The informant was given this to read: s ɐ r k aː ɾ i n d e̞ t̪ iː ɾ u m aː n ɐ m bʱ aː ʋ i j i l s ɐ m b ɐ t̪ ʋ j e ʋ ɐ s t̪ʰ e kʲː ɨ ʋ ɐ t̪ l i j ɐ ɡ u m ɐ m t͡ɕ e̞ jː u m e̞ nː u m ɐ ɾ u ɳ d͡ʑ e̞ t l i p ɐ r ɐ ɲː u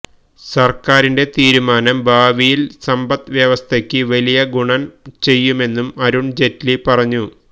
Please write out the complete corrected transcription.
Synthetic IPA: s ɐ r k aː ɾ i n d e̞ t̪ iː ɾ u m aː n ɐ m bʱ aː ʋ i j i l s ɐ m b ɐ t̪ ʋ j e ʋ ɐ s t̪ʰ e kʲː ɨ ʋ ɐ l i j ɐ ɡ u ɳ ɐ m t͡ɕ e̞ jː u m e̞ nː u m ɐ ɾ u ɳ d͡ʑ e̞ t l i p ɐ r ɐ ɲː u